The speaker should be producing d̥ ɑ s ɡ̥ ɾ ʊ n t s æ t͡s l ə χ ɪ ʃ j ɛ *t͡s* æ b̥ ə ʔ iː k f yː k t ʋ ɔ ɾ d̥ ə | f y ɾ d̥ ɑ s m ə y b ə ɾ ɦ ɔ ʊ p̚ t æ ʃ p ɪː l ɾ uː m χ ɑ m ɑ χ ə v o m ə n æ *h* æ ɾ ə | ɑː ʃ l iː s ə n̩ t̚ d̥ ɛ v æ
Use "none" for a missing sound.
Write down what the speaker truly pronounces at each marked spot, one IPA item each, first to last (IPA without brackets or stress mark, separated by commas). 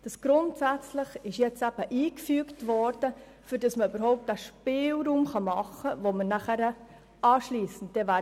t͡s, χ